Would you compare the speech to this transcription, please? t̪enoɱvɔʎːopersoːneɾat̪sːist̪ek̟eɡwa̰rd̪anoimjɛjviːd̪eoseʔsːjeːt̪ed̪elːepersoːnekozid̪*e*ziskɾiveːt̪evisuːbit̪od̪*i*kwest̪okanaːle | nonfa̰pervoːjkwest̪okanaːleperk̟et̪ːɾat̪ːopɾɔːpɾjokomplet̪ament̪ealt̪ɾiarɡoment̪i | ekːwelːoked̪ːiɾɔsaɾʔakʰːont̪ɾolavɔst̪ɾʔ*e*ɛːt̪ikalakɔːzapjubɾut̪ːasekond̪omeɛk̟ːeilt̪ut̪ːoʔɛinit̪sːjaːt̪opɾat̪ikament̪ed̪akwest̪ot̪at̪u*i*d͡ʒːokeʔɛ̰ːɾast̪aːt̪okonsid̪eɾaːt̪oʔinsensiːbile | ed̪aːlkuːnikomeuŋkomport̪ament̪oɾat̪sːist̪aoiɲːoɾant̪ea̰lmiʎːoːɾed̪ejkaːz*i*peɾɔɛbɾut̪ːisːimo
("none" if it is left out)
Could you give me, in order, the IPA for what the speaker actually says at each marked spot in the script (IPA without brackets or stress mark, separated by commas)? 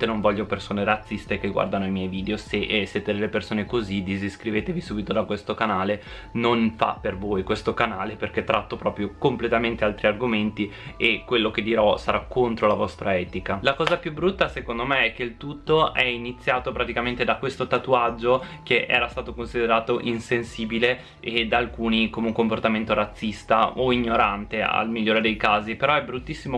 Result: i, a, a, a, i